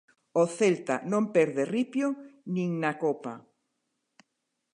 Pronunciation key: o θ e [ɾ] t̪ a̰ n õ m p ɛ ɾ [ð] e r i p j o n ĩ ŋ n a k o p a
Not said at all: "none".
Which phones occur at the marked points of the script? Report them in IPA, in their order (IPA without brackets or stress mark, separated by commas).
l, ð